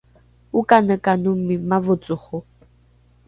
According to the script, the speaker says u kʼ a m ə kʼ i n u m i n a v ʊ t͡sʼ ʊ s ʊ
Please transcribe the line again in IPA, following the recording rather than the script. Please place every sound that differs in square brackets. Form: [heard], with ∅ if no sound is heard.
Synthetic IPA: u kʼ a [n] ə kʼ [a] n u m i [m] a v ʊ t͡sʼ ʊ [χ] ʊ